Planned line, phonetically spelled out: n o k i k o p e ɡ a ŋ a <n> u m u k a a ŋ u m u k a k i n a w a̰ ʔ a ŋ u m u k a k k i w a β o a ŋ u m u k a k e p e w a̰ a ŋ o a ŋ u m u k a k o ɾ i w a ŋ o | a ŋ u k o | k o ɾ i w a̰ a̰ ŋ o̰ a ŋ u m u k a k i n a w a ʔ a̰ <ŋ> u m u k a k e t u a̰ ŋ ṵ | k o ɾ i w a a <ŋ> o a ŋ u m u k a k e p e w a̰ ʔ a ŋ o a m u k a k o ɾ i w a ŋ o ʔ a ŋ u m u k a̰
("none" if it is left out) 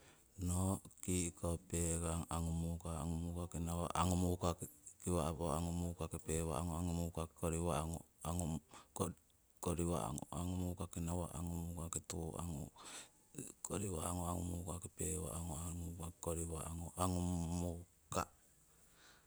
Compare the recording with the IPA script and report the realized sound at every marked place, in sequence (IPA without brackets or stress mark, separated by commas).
ŋ, ŋ, ŋ